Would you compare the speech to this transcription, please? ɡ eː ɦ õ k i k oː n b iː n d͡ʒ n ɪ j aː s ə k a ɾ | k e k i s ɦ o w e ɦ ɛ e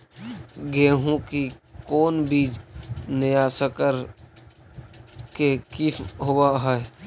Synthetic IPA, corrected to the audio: ɡ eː ɦ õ k i k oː n b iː d͡ʒ n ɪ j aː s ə k ə ɾ | k e k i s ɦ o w a ɦ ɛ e